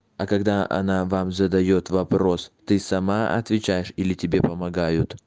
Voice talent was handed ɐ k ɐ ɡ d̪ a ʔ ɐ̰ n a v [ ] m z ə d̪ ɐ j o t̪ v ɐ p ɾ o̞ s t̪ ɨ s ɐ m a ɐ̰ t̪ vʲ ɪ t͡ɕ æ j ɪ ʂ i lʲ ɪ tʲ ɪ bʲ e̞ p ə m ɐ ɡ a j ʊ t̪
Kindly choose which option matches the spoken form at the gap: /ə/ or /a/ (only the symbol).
a